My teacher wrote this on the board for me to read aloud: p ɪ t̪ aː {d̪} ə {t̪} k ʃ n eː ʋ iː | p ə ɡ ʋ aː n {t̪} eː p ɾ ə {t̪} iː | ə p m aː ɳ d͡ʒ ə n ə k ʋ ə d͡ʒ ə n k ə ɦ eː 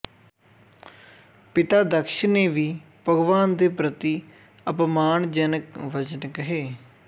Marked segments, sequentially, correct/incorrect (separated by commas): correct, incorrect, incorrect, correct